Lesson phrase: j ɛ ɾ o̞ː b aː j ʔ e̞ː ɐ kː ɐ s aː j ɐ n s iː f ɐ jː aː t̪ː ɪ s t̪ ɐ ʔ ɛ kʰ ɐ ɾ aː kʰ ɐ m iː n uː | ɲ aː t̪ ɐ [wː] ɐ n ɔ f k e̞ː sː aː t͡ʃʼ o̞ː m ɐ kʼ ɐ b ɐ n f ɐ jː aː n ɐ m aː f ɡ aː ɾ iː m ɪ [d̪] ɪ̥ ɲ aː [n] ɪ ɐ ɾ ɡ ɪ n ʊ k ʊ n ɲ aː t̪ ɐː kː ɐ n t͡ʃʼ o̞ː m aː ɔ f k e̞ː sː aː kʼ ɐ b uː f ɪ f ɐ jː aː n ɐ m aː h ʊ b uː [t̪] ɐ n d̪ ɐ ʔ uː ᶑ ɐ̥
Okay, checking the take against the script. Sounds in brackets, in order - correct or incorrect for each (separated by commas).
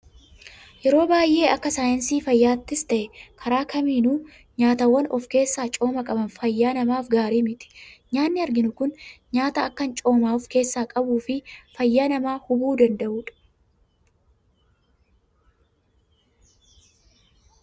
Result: correct, incorrect, incorrect, incorrect